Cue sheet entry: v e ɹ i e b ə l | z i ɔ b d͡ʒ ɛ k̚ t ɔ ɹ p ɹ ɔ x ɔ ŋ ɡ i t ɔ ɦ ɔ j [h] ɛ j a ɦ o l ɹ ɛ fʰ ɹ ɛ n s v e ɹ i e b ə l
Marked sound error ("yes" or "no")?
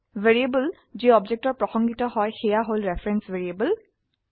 yes